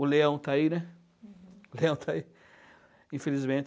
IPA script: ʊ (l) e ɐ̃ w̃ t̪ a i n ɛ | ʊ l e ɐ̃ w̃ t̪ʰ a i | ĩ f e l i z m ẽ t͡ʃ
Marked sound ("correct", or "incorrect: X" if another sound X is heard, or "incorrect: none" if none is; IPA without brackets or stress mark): correct